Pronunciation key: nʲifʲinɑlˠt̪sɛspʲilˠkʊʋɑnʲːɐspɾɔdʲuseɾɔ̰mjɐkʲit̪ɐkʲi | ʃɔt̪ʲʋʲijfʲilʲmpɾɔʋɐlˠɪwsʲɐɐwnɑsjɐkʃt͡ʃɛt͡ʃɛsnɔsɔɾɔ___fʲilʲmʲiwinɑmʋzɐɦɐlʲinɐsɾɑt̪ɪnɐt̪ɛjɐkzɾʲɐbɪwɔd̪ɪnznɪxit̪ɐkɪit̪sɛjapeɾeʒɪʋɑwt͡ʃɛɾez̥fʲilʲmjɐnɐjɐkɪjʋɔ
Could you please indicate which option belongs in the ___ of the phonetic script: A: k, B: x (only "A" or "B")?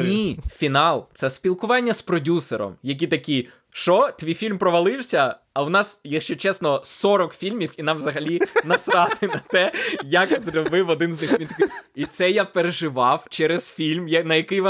A